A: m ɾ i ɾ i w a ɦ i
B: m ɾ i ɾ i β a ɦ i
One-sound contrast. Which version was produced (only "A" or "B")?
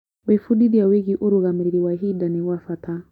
A